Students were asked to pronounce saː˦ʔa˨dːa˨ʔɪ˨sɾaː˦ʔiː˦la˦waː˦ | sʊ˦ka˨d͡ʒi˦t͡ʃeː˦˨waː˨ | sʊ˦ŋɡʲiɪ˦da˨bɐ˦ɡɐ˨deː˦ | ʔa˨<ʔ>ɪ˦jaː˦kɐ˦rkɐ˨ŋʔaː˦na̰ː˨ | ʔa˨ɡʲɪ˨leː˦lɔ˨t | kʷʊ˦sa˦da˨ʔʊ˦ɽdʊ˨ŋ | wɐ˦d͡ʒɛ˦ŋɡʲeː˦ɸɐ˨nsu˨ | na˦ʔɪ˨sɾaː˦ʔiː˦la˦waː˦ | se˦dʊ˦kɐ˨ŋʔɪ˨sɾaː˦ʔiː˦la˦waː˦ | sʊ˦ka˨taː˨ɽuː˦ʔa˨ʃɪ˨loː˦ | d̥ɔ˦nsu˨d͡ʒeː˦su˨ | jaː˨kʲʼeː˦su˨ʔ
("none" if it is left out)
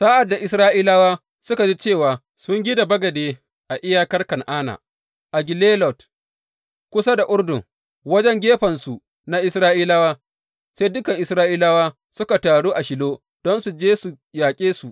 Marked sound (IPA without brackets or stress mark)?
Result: ʔ